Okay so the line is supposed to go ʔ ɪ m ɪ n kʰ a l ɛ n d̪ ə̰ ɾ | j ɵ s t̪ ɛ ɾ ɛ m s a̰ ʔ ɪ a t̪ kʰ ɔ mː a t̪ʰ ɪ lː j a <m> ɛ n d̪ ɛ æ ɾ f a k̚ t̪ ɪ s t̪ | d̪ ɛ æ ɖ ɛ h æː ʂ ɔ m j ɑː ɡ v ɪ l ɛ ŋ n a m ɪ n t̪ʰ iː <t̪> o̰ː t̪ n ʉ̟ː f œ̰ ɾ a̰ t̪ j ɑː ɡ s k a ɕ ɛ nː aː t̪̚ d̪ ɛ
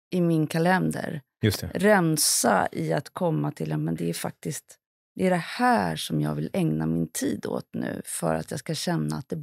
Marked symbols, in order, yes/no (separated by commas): yes, no